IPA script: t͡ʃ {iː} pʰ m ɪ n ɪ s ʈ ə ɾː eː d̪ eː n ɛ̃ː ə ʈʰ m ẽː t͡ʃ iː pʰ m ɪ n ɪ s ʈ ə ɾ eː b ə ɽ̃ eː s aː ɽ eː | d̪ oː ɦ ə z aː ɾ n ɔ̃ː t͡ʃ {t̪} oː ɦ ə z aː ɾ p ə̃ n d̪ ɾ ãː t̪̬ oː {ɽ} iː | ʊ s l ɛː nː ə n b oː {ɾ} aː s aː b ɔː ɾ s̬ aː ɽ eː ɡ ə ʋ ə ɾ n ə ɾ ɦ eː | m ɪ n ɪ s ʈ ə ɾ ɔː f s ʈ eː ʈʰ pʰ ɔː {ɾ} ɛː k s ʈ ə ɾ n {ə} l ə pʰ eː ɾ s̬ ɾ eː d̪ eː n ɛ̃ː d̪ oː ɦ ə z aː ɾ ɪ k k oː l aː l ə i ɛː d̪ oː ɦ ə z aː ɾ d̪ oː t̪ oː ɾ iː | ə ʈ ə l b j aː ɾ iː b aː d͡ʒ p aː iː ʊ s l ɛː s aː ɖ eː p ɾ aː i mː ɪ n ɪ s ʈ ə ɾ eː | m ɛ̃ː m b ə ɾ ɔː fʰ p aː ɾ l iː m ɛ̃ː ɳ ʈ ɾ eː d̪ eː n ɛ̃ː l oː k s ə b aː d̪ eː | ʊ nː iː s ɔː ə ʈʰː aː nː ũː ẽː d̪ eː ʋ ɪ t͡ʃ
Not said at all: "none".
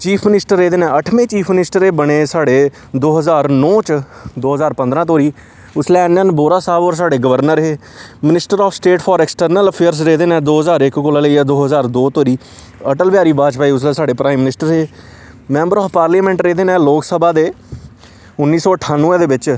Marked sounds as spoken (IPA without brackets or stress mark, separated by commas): iː, d̪, ɾ, ɾ, ɾ, ə